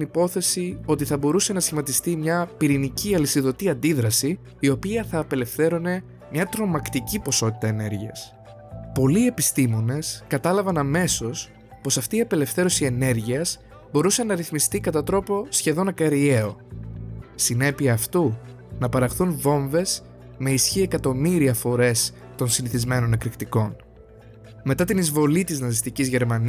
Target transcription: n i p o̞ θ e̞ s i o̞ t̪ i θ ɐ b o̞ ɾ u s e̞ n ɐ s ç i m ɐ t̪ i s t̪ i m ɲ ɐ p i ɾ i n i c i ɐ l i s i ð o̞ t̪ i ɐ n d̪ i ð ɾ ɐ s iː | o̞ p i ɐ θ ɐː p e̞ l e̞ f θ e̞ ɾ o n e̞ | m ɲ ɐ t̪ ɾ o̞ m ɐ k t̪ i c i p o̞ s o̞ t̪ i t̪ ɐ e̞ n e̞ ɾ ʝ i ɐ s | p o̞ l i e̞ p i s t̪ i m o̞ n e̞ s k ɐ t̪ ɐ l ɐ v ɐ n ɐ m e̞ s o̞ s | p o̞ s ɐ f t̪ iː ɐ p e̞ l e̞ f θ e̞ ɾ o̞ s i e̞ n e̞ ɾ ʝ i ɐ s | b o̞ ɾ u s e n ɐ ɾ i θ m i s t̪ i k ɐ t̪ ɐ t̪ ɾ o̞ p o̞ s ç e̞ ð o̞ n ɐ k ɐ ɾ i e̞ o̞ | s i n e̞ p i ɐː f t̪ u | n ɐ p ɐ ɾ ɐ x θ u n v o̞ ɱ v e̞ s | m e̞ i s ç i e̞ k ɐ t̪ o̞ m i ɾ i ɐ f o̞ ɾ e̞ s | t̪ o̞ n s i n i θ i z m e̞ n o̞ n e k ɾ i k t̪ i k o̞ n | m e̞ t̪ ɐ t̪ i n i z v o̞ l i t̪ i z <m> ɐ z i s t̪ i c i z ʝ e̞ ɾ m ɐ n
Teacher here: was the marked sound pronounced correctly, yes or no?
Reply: no